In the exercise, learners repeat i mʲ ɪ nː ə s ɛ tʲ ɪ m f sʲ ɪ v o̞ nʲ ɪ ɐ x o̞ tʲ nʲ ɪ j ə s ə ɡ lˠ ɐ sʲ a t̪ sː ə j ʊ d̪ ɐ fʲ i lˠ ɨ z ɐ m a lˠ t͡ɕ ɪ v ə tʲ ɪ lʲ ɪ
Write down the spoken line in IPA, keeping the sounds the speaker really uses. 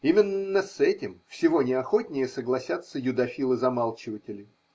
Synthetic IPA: i mʲ ɪ nː ə s ɛ tʲ ɪ m f sʲ ɪ v o̞ nʲ ɪ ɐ x o̞ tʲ nʲ ɪ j ə s ə ɡ lˠ ɐ sʲ a t̪ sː ə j ʊ d̪ ɐ fʲ i lˠ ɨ z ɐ m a lˠ t͡ɕ ɪ v ə tʲ ɪ lʲ ɪ